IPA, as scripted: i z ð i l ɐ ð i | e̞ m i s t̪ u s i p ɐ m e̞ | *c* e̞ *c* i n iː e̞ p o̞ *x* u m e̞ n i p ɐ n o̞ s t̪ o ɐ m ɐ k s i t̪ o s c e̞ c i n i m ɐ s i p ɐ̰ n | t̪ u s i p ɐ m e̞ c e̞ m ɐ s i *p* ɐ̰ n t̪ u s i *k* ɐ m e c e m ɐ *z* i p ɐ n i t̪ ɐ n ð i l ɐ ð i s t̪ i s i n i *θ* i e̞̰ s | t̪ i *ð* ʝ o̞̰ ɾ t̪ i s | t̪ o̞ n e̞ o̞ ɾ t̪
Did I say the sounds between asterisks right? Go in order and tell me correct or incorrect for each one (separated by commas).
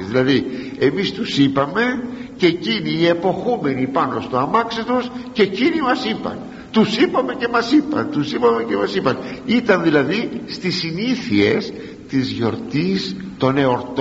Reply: correct, correct, correct, correct, incorrect, incorrect, correct, incorrect